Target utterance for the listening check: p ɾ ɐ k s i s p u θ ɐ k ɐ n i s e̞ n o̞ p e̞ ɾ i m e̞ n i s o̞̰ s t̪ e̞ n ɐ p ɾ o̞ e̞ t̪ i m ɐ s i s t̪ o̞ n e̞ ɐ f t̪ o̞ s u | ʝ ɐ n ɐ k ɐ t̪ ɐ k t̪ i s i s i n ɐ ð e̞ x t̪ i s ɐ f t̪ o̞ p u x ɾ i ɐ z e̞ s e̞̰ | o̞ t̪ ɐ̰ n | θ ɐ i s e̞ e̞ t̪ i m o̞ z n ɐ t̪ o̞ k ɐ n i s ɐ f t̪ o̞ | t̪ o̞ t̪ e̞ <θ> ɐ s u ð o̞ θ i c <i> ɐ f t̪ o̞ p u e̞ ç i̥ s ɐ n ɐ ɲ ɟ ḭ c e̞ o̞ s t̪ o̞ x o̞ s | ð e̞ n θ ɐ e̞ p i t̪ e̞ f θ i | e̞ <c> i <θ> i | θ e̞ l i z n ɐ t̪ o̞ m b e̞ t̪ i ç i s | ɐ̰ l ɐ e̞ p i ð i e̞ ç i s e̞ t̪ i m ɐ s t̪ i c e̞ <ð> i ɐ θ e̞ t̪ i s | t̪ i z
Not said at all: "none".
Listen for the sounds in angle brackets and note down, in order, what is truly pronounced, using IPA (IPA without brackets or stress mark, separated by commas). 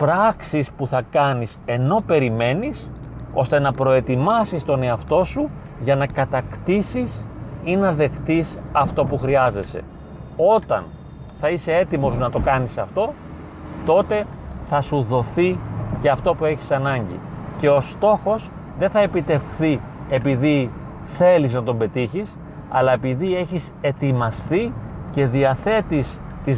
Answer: θ, e, p, ð, ð